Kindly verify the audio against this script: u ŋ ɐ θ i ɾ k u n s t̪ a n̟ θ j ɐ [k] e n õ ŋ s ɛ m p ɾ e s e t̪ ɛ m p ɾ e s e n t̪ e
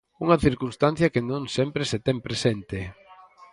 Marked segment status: correct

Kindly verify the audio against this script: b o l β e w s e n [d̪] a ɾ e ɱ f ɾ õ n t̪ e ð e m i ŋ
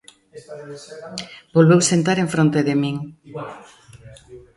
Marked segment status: incorrect: t̪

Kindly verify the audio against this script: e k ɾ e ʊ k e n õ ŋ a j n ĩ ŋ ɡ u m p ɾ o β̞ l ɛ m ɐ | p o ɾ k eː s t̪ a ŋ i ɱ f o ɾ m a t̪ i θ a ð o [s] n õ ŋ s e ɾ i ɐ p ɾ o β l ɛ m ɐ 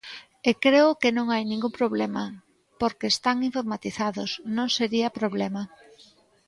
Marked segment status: correct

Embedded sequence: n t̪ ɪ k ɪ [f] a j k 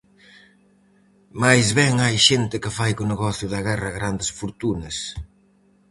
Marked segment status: correct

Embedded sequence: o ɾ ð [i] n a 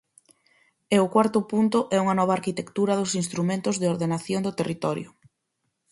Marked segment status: incorrect: e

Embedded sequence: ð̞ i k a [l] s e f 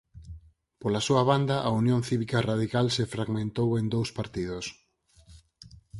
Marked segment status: correct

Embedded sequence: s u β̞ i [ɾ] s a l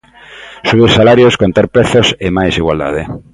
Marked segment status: correct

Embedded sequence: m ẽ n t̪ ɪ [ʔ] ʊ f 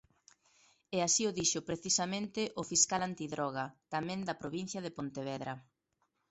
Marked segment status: correct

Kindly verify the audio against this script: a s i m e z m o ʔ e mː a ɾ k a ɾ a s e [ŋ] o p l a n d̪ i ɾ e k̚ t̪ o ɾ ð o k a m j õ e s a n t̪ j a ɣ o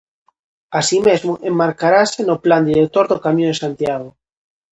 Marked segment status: incorrect: n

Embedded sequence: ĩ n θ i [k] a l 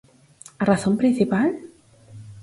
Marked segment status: incorrect: p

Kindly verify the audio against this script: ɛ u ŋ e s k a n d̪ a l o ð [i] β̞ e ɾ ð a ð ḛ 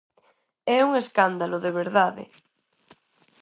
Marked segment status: incorrect: e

